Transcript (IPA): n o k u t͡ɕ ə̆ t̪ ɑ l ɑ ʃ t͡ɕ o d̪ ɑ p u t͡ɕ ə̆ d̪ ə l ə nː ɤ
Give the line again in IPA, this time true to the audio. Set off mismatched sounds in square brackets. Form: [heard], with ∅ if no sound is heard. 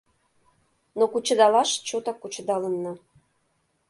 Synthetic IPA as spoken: n o k u t͡ɕ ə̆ [d̪] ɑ l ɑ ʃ t͡ɕ o [t̪] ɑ [k] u t͡ɕ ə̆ d̪ [ɑ] l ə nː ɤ